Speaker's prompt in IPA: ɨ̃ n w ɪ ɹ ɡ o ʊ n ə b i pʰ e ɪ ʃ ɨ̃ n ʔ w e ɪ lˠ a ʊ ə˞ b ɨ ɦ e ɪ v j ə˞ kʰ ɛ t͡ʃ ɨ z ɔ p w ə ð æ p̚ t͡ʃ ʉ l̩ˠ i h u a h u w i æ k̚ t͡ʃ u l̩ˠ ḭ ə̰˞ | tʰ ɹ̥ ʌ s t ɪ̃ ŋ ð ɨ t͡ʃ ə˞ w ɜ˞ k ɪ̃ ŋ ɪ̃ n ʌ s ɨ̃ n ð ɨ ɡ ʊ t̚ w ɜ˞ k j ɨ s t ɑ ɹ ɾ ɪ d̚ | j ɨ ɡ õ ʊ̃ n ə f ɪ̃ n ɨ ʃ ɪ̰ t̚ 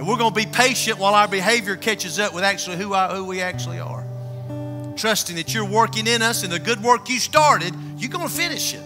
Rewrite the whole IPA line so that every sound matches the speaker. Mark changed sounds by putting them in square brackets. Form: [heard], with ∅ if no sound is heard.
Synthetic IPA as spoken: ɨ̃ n w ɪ ɹ ɡ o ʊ n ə b i pʰ e ɪ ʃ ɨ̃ n ʔ w [a] ɪ lˠ a ʊ ə˞ b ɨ ɦ e ɪ v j ə˞ kʰ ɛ t͡ʃ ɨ z [ʌ] p w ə ð æ [k̚] t͡ʃ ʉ l̩ˠ i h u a h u w i æ k̚ t͡ʃ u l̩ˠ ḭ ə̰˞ | tʰ ɹ̥ ʌ s t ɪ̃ ŋ ð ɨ t͡ʃ ə˞ w ɜ˞ k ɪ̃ ŋ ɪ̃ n ʌ s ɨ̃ n ð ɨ ɡ ʊ [d̚] w ɜ˞ k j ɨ s t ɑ ɹ ɾ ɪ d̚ | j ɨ ɡ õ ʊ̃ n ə f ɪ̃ n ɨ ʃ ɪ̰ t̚